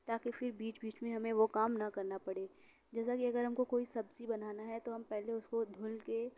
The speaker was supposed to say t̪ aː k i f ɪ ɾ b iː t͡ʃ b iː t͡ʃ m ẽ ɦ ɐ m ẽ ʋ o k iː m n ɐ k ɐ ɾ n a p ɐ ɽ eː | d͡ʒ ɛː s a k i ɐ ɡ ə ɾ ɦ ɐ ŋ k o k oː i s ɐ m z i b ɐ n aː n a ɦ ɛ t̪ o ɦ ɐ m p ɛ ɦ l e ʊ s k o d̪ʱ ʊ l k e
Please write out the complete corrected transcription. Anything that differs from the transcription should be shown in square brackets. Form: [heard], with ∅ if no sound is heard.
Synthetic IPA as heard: t̪ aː k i f ɪ ɾ b iː t͡ʃ b iː t͡ʃ m ẽ ɦ ɐ m ẽ ʋ o k [aː] m n ɐ k ɐ ɾ n a p ɐ ɽ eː | d͡ʒ ɛː s a k i ɐ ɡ ə ɾ ɦ ɐ [m] k o k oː i s ɐ [b] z i b ɐ n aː n a ɦ ɛ t̪ o ɦ ɐ m p ɛ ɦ l e ʊ s k o d̪ʱ ʊ l k e